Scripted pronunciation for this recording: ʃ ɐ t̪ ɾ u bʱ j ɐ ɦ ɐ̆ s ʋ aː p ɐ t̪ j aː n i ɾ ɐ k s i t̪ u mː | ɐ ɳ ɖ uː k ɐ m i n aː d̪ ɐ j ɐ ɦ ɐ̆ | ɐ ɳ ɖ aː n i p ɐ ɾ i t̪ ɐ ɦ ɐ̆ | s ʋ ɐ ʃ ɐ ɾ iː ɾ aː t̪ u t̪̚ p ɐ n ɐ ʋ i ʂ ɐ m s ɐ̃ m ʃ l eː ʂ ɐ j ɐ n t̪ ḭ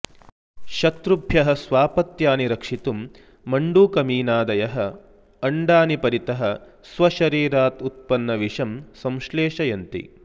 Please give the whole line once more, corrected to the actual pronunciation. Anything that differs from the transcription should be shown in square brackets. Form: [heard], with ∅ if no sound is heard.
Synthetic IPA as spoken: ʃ ɐ t̪ ɾ u bʱ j ɐ ɦ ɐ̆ s ʋ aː p ɐ t̪ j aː n i ɾ ɐ k [ʂ] i t̪ u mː | ɐ ɳ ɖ uː k ɐ m [iː] n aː d̪ ɐ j ɐ ɦ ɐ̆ | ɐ ɳ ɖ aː n i p ɐ ɾ i t̪ ɐ ɦ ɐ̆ | s ʋ ɐ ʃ ɐ ɾ iː ɾ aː t̪ u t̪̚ p ɐ [nː] ɐ ʋ i ʂ ɐ m s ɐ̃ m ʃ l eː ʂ ɐ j ɐ n t̪ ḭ